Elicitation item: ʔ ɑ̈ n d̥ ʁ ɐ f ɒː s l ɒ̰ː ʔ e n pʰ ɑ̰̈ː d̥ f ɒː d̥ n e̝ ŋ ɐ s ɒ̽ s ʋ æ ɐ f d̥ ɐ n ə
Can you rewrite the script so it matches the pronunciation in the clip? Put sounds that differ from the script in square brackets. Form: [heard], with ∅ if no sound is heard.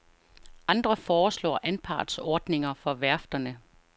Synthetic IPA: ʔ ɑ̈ n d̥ ʁ ɐ f ɒː s l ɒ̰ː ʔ [æ] n pʰ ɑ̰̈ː d̥ [s] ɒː d̥ n e̝ ŋ ɐ [f] ɒ̽ [∅] ʋ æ ɐ f d̥ ɐ n ə